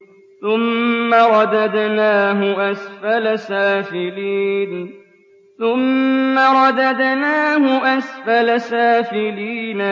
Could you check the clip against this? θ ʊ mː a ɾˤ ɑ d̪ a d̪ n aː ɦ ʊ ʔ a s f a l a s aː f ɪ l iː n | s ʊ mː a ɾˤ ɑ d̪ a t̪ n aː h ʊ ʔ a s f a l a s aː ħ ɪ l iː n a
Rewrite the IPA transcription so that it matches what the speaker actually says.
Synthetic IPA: θ ʊ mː a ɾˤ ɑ d̪ a d̪ n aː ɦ ʊ ʔ a s f a l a s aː f ɪ l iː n | θ ʊ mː a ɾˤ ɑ d̪ a d̪ n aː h ʊ ʔ a s f a l a s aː f ɪ l iː n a